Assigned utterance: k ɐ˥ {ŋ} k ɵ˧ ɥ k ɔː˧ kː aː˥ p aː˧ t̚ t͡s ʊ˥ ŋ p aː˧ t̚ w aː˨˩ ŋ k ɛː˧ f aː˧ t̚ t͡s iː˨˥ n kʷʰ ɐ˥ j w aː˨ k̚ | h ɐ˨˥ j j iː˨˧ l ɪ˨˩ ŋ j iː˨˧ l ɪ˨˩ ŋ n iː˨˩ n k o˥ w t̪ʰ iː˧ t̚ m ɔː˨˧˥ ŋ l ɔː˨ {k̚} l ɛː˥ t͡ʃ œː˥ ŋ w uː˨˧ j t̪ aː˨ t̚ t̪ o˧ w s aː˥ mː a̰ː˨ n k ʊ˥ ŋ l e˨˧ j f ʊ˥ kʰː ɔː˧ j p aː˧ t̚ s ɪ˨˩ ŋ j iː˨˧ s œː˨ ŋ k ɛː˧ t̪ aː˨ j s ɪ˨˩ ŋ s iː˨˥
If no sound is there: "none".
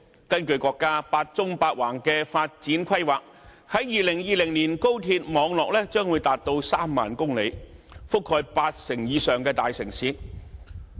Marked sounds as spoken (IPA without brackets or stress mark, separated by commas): n, k̚